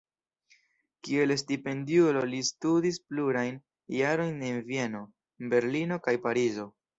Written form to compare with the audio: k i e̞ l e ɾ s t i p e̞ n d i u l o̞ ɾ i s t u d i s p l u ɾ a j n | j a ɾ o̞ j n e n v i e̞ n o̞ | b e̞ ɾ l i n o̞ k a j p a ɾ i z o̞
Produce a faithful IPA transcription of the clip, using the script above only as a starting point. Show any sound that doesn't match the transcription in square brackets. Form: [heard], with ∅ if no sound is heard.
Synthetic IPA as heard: k i e̞ l e [∅] s t i p e̞ n d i u l o̞ [l] i s t u d i s p l u ɾ a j n | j a ɾ o̞ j n e n v i e̞ n o̞ | b e̞ ɾ l i n o̞ k a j p a ɾ i z o̞